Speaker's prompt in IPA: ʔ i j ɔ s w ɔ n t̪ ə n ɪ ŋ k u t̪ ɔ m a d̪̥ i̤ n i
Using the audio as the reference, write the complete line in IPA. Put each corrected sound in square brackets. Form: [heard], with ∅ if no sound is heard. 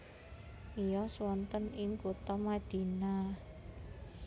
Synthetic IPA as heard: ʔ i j ɔ s w ɔ n t̪ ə n ɪ ŋ k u t̪ ɔ m a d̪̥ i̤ n [a]